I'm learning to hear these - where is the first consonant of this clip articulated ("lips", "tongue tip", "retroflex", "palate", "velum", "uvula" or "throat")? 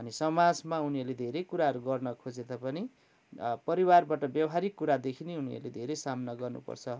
tongue tip